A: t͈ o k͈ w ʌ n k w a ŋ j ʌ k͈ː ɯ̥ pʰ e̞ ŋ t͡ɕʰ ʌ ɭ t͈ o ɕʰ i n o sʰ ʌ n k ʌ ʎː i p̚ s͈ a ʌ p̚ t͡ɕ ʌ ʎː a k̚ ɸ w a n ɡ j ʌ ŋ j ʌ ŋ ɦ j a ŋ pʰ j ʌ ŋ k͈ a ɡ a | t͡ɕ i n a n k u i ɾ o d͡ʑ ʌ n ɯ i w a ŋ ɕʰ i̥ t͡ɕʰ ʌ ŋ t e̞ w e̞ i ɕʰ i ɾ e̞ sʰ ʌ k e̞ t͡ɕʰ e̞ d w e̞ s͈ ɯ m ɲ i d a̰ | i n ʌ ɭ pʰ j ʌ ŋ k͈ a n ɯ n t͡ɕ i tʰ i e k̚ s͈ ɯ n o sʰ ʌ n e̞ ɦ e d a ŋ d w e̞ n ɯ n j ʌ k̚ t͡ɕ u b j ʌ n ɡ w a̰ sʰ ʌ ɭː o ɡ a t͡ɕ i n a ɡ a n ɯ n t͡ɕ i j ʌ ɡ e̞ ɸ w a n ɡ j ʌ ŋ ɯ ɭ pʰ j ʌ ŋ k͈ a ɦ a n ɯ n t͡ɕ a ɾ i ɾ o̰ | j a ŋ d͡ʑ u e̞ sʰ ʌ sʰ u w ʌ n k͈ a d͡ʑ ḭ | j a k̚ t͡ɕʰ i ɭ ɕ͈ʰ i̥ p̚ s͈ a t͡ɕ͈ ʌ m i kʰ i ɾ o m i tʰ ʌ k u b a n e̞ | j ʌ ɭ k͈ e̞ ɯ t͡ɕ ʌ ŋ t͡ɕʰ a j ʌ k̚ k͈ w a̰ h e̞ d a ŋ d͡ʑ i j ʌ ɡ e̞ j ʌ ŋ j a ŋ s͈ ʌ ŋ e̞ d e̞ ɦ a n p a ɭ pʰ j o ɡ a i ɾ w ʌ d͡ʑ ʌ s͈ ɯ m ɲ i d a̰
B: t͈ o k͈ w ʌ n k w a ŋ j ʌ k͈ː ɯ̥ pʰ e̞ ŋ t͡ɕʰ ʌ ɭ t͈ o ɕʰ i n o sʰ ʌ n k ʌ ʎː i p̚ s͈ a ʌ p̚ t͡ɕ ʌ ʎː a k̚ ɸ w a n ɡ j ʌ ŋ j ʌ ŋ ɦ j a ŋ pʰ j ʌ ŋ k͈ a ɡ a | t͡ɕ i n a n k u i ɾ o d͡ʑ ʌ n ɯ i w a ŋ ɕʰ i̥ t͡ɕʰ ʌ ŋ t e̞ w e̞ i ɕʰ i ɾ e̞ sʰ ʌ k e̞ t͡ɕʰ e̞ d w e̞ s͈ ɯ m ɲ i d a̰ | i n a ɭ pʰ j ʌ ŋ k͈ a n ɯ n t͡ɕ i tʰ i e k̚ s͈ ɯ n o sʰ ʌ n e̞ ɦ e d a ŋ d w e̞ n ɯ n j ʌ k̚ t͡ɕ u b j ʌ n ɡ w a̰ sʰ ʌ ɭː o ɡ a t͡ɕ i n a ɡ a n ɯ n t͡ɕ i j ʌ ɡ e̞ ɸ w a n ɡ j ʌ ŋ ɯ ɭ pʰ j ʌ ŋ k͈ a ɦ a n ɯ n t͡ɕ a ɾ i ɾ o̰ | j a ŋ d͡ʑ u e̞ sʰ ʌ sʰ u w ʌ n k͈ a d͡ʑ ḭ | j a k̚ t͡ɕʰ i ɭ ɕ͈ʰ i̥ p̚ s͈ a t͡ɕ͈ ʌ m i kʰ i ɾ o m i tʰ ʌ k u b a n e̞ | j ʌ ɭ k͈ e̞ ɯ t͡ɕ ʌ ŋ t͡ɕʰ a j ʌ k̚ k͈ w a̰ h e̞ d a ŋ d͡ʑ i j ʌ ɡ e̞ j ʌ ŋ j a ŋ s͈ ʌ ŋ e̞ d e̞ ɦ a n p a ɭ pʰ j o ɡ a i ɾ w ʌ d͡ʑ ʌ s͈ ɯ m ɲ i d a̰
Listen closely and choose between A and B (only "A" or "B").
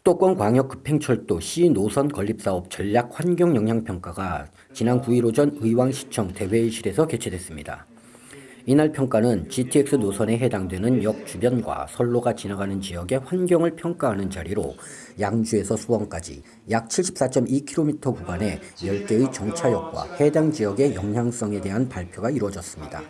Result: B